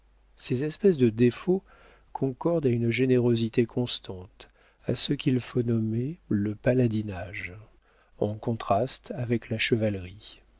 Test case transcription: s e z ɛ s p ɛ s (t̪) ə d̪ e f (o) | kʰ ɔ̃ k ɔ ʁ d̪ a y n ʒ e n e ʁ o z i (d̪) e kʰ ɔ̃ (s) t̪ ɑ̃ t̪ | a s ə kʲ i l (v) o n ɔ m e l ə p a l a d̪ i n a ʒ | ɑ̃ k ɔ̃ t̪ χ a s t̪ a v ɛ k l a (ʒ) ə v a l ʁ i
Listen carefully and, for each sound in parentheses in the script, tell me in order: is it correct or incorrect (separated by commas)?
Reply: incorrect, correct, incorrect, correct, incorrect, incorrect